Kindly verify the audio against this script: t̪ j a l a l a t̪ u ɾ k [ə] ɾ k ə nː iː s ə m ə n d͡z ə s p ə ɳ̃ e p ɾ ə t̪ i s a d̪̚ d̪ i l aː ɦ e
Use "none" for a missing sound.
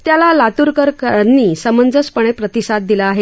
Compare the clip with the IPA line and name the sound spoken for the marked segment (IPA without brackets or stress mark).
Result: ə